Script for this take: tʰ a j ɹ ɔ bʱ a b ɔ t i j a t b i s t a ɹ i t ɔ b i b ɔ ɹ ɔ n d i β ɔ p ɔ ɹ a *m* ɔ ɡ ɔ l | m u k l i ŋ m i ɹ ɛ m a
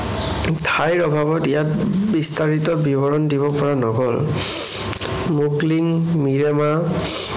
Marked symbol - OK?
no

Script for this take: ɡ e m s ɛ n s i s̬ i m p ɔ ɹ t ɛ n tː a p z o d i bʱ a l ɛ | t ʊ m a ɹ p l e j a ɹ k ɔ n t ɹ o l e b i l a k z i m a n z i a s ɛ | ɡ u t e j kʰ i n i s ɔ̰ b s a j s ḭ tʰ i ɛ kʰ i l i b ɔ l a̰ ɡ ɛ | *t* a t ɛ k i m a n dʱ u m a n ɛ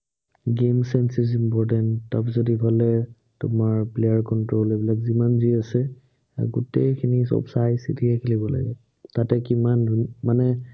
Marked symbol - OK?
yes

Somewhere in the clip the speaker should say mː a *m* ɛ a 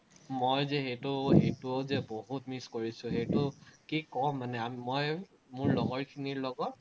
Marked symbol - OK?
no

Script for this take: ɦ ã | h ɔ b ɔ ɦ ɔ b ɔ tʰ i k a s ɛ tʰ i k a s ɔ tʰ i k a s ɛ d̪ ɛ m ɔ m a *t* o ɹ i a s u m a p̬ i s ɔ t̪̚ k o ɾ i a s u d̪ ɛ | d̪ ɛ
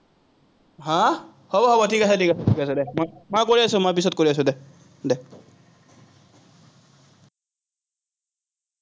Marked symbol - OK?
no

